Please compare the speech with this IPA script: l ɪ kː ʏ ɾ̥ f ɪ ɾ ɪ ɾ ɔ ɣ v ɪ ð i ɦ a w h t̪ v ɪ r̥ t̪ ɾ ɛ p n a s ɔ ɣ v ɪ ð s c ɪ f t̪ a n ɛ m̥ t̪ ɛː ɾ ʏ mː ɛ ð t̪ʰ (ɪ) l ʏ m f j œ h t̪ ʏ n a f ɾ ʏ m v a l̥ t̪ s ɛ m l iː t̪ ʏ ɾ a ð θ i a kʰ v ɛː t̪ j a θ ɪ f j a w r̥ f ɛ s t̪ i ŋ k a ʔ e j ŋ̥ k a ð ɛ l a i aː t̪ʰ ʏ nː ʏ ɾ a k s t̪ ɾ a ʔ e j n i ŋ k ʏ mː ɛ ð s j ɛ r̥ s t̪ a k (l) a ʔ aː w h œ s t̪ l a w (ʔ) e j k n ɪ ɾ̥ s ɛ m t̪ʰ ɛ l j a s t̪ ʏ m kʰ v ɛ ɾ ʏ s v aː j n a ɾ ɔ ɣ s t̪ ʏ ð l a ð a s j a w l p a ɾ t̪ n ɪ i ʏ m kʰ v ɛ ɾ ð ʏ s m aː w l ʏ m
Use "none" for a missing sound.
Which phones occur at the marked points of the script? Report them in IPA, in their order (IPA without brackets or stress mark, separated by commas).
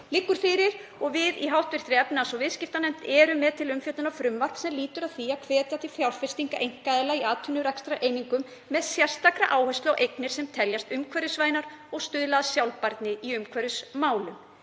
ɪ, ɾ, ʔ